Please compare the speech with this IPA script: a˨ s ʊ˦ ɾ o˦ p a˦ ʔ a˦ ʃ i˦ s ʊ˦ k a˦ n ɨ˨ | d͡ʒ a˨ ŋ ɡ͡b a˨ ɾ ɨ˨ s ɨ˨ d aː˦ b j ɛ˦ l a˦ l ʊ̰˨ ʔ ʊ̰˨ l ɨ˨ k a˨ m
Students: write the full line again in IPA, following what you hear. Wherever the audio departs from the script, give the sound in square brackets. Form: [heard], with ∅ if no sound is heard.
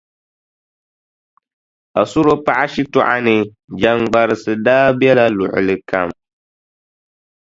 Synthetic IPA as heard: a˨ s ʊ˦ ɾ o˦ p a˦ ʔ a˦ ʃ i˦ [t] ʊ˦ [ʔ] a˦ n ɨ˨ | d͡ʒ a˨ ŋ ɡ͡b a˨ ɾ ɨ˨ s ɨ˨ d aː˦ b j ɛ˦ l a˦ l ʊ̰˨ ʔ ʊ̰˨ l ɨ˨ k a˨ m